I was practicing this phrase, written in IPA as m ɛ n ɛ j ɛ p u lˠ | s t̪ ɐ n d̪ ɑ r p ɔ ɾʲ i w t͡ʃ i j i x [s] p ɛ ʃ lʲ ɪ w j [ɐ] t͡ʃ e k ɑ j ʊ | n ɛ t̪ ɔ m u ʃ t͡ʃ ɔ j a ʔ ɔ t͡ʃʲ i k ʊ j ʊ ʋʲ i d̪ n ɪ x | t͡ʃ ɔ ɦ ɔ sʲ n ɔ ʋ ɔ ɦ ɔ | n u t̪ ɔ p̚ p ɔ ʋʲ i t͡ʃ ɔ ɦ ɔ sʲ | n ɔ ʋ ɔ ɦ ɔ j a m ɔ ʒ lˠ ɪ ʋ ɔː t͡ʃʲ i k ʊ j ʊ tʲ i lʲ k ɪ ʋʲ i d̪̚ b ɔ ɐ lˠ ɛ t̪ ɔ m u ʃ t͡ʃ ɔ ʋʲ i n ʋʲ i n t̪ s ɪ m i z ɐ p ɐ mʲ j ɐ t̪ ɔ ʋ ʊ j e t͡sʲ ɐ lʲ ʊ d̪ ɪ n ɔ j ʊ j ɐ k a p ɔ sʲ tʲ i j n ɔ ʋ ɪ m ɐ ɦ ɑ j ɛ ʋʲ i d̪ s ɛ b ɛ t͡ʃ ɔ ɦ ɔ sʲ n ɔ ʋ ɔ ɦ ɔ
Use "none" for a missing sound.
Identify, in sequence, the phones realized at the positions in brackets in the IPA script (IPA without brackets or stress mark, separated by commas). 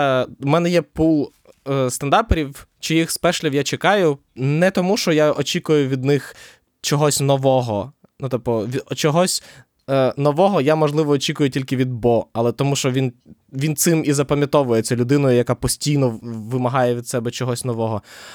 s, a